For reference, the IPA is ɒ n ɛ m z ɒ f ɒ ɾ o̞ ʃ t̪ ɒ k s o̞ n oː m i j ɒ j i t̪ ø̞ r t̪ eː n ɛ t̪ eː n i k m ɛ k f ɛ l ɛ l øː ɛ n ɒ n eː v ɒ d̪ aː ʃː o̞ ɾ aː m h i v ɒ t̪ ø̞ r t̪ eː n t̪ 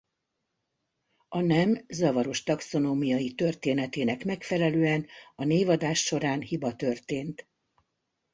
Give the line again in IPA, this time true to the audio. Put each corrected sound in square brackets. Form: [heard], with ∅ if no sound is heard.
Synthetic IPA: ɒ n ɛ m z ɒ [v] ɒ ɾ o̞ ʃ t̪ ɒ k s o̞ n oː m i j ɒ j i t̪ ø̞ r t̪ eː n ɛ t̪ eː n [ɛ] k m ɛ k f ɛ l ɛ l øː ɛ n ɒ n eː v ɒ d̪ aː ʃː o̞ ɾ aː [n] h i [b] ɒ t̪ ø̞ r t̪ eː n t̪

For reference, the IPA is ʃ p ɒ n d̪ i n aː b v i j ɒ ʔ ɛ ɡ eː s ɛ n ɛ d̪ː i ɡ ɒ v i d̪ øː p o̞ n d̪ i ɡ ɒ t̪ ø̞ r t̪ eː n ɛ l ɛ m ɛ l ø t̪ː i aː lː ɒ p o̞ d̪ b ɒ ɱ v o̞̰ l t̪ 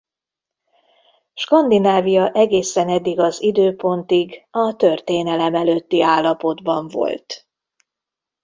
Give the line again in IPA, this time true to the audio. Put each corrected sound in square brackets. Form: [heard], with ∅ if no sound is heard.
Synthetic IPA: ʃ [k] ɒ n d̪ i n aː [∅] v i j ɒ ʔ ɛ ɡ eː s ɛ n ɛ d̪ː i ɡ ɒ [z] i d̪ øː p o̞ n [t̪] i ɡ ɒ t̪ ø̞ r t̪ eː n ɛ l ɛ m ɛ l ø t̪ː i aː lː ɒ p o̞ d̪ b ɒ ɱ v o̞̰ l t̪

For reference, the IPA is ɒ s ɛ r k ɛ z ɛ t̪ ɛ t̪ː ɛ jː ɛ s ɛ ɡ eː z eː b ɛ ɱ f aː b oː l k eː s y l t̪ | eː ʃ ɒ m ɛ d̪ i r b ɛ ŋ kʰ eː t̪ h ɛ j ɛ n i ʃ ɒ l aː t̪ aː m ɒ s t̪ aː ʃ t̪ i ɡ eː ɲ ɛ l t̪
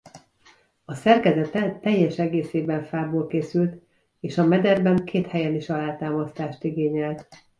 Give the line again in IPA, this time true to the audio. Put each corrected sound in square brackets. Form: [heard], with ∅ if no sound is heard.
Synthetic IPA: ɒ s ɛ r k ɛ z ɛ t̪ ɛ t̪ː ɛ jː ɛ [ʃ] ɛ ɡ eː [s] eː b ɛ ɱ f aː b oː l k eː s y l t̪ | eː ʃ ɒ m ɛ d̪ [ɛ] r b ɛ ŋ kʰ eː t̪ h ɛ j ɛ n i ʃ ɒ l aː t̪ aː m ɒ s t̪ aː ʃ t̪ i ɡ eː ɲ ɛ l t̪

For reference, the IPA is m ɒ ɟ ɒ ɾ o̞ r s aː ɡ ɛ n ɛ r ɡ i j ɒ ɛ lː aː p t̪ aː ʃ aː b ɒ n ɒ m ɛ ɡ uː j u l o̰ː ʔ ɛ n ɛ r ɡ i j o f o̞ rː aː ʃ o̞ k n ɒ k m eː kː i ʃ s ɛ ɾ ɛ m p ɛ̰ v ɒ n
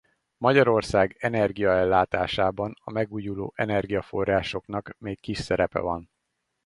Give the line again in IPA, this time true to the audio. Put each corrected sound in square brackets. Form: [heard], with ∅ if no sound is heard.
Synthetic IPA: m ɒ ɟ ɒ ɾ o̞ r s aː ɡ ɛ n ɛ r ɡ i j ɒ ɛ lː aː [∅] t̪ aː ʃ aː b ɒ n ɒ m ɛ ɡ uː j u l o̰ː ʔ ɛ n ɛ r ɡ i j [ɒ] f o̞ rː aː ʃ o̞ k n ɒ k m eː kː i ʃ s ɛ ɾ ɛ [∅] p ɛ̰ v ɒ n

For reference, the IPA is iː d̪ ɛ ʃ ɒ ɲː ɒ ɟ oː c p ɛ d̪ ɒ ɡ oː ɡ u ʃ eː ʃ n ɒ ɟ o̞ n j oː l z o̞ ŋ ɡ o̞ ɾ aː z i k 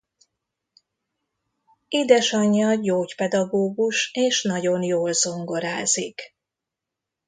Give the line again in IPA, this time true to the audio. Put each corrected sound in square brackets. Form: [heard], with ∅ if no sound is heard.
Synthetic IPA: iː d̪ ɛ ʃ ɒ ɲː ɒ ɟ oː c p ɛ d̪ ɒ ɡ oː ɡ u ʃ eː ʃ n ɒ ɟ o̞ n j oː l z o̞ ŋ ɡ o̞ ɾ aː z i k

